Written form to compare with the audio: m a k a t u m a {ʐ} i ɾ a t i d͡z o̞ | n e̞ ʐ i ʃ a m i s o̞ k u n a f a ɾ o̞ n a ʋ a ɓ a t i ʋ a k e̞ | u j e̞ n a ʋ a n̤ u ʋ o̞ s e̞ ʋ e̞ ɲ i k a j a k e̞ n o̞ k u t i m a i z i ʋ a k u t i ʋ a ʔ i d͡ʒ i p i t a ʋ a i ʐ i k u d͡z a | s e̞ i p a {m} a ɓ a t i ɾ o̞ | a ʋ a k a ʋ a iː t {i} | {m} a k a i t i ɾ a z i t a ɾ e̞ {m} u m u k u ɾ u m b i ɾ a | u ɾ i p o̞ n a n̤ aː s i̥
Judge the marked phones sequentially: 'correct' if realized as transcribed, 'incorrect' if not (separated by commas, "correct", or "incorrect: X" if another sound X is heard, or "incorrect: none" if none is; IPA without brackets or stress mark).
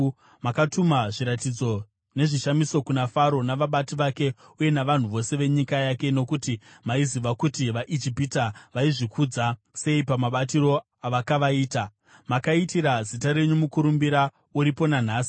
correct, correct, incorrect: a, correct, incorrect: ɲ